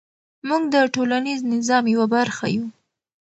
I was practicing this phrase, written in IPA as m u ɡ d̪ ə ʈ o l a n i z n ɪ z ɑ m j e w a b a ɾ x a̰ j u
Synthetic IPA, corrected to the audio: m u ɡ d̪ ə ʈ o l a n i z n ɪ z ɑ m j a w a b a ɾ x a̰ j u